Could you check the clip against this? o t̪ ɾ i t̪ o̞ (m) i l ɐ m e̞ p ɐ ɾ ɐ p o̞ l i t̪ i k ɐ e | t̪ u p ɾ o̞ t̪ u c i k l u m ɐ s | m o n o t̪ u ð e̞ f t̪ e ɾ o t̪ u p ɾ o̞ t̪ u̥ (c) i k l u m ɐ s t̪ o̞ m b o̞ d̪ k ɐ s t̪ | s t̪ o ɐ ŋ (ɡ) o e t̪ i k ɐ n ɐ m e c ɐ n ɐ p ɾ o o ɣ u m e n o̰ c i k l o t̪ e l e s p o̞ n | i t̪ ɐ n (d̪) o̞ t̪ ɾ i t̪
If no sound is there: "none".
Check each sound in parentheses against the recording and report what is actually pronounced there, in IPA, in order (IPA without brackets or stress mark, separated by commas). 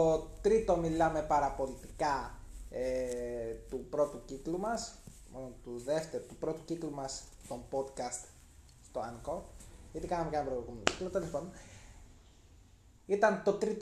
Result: m, c, k, t̪